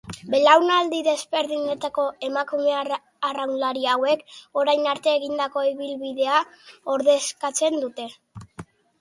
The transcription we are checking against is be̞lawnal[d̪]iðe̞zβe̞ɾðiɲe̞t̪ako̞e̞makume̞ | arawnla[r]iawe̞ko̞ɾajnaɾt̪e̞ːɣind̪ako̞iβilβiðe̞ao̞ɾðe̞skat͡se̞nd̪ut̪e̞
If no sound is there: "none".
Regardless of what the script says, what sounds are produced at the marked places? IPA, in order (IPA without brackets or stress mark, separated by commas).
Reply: d̪, ɾ